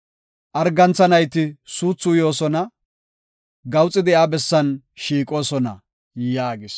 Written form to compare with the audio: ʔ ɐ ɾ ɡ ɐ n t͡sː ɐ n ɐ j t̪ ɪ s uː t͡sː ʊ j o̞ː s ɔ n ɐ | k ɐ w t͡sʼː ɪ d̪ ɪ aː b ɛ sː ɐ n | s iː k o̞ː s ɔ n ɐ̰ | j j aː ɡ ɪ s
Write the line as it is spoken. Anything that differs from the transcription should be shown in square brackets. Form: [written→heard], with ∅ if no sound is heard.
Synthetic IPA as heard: ʔ ɐ ɾ ɡ ɐ n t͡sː ɐ n ɐ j t̪ ɪ s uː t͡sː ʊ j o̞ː s ɔ n ɐ | [k→ɡ] ɐ w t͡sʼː ɪ d̪ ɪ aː b ɛ sː ɐ n | [s→ʃ] iː [k→kʼ] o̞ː s ɔ n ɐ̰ | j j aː ɡ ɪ s